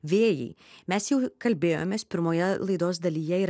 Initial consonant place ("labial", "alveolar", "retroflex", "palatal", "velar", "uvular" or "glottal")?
labial